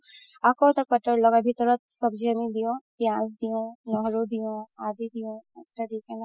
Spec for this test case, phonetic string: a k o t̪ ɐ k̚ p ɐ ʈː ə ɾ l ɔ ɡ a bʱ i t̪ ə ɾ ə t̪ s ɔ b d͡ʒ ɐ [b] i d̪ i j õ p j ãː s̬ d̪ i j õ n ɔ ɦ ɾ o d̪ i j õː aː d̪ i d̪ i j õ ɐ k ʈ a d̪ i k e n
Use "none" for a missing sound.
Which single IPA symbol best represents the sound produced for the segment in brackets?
m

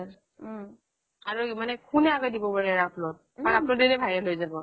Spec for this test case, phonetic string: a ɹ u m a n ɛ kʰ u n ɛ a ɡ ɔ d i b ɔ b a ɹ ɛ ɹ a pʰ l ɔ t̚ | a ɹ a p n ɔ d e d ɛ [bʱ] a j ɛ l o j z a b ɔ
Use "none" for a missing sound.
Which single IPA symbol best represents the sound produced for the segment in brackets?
bʱ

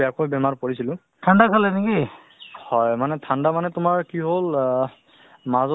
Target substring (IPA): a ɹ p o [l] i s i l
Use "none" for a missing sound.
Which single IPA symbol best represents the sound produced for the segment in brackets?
ɹ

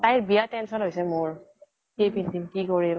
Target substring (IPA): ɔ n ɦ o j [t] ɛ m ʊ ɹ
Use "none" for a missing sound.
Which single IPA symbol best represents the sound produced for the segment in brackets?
s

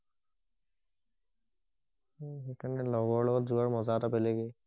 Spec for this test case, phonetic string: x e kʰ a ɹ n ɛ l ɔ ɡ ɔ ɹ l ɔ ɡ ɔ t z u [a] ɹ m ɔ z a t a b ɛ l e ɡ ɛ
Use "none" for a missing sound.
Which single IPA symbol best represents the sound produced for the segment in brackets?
a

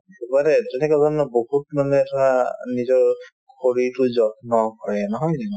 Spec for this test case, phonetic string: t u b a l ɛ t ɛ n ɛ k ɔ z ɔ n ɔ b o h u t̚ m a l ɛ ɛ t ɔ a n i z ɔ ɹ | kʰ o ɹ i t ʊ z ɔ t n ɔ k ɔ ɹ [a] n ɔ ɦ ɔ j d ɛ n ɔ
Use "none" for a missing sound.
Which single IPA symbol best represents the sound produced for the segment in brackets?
ɛ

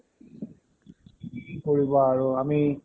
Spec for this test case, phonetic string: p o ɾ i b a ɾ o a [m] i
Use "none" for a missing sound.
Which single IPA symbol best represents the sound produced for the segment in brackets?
m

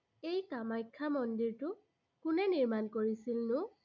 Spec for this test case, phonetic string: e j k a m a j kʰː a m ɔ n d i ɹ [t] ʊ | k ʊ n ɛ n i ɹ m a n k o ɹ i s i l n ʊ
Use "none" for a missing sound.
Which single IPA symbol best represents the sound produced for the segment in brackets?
t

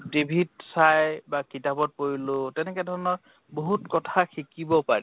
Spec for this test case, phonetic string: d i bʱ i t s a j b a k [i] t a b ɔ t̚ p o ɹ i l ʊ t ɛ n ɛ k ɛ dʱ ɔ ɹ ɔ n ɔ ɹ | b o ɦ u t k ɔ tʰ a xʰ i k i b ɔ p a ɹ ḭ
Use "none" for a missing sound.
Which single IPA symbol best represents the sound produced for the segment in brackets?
i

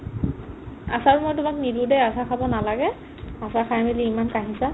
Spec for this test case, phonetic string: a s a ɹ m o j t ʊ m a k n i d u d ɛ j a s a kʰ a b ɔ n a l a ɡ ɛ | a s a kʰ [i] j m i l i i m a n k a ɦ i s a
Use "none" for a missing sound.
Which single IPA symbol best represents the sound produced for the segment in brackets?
a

